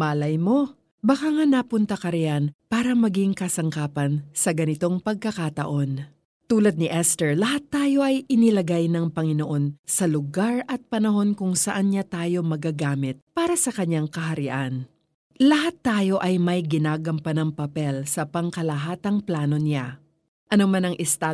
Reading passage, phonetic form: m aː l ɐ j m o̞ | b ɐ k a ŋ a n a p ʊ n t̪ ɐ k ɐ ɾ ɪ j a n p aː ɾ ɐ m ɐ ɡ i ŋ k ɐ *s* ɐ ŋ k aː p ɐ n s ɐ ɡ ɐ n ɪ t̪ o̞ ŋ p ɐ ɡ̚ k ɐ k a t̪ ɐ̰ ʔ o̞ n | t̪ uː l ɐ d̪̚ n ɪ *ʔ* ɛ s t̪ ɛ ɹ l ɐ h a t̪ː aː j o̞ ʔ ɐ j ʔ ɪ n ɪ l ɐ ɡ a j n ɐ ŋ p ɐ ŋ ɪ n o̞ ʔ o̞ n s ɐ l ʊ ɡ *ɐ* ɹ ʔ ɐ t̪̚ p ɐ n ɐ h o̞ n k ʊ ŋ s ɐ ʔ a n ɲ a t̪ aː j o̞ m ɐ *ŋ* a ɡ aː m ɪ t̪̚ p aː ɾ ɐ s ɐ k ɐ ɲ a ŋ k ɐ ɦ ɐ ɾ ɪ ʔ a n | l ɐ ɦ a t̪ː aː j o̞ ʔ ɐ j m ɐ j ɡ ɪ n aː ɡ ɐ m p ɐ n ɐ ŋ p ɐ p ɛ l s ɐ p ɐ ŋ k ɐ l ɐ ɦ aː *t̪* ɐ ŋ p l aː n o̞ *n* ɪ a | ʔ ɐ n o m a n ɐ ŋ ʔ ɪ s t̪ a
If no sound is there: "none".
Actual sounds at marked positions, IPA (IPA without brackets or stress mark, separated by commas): s, ʔ, a, ɡ, t̪, n